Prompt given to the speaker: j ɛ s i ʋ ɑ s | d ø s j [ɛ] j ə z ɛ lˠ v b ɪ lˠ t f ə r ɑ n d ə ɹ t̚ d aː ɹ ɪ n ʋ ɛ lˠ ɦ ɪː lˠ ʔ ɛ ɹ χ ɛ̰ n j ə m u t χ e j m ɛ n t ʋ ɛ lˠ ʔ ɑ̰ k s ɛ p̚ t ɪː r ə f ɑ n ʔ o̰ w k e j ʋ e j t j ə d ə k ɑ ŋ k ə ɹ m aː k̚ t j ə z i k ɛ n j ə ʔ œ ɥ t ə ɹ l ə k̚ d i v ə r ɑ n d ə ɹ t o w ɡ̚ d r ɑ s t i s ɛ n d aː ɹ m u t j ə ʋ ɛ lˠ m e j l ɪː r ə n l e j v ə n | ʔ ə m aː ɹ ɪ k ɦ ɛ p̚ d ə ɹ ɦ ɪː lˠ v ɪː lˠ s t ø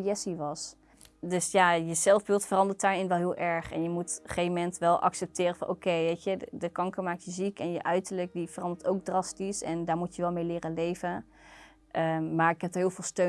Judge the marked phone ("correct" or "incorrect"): incorrect